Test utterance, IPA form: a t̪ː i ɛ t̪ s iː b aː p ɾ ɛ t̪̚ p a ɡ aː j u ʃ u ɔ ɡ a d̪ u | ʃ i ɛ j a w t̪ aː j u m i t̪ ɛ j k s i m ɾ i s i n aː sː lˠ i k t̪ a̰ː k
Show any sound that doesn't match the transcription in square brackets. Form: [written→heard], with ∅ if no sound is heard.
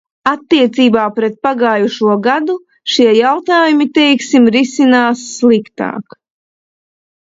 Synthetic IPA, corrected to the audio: a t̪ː i ɛ t̪ s iː b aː p ɾ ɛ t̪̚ p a ɡ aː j u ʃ u ɔ ɡ a d̪ u | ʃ i ɛ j a w t̪ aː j u m i t̪ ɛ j k s i m ɾ i s i n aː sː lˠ i k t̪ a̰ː k